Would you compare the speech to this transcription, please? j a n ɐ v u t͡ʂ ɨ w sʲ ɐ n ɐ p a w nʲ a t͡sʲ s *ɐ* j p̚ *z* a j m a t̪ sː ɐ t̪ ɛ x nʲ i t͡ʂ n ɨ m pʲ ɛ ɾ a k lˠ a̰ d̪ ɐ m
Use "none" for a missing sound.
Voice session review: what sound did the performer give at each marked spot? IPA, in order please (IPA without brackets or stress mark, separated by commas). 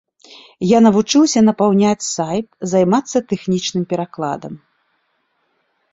a, z